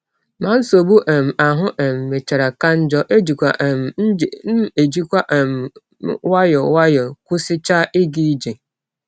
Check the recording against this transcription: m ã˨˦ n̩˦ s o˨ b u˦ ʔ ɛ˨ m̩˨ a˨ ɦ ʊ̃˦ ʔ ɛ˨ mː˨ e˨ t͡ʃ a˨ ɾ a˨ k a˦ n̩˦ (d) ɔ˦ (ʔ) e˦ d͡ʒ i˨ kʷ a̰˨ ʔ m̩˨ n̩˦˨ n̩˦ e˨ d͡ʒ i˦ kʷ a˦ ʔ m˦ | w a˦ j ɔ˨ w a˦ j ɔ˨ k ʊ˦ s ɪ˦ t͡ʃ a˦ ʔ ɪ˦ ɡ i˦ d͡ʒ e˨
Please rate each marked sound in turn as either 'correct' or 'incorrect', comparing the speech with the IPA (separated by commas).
incorrect, correct